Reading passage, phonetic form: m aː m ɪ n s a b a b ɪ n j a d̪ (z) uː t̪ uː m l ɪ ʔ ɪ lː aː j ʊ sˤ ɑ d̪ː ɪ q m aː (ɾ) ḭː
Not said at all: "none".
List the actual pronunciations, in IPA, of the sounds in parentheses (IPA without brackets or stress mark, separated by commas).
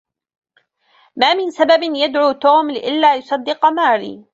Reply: ʕ, ɾ